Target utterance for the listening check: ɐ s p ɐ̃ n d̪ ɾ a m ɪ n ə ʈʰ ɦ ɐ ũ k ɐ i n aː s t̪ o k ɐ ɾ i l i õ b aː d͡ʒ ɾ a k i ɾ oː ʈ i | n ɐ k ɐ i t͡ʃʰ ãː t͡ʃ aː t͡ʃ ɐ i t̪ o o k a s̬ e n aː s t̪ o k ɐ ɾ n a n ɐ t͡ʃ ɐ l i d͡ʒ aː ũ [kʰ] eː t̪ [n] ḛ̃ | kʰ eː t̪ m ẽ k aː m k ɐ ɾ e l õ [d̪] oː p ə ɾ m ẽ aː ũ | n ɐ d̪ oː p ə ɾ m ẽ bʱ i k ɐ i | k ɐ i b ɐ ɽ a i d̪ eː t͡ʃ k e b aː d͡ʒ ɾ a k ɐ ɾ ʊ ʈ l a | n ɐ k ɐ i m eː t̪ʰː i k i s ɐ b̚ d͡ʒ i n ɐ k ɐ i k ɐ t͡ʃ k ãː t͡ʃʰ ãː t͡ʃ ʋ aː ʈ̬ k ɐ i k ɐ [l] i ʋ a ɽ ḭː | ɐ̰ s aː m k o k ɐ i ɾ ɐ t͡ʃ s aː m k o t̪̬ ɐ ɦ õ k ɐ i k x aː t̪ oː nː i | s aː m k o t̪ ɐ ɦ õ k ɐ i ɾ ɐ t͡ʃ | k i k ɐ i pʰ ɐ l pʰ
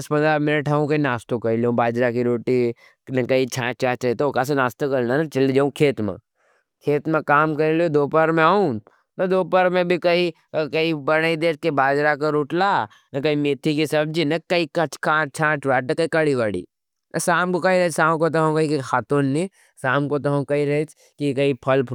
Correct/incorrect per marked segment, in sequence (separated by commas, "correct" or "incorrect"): correct, incorrect, correct, incorrect